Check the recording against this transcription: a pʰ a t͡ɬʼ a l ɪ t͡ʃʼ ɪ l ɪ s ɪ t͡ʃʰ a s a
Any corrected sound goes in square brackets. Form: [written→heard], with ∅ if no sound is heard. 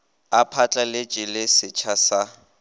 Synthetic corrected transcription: a pʰ a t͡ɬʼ a l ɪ t͡ʃʼ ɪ l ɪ s ɪ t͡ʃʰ a s a